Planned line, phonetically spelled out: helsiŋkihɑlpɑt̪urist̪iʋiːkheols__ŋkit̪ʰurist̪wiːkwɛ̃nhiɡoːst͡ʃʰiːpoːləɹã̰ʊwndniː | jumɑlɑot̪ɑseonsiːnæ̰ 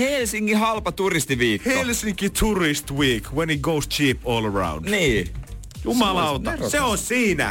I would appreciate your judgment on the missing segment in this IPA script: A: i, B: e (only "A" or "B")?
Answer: A